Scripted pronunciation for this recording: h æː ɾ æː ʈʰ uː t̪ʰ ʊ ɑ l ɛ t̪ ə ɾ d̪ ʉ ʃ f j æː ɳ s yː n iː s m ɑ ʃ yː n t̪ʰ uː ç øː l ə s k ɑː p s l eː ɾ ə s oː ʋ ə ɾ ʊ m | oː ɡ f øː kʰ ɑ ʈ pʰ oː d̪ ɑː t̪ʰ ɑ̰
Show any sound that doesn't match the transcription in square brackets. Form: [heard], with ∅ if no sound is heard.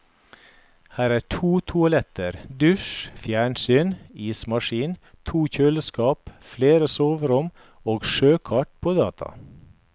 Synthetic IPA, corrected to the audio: h æː ɾ æː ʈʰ uː t̪ʰ ʊ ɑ l ɛ t̪ ə ɾ d̪ ʉ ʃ f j æː ɳ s yː n iː s m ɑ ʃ [iː] n t̪ʰ uː ç øː l ə s k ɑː p [f] l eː ɾ ə s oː ʋ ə ɾ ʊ m | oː ɡ [ʃ] øː kʰ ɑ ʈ pʰ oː d̪ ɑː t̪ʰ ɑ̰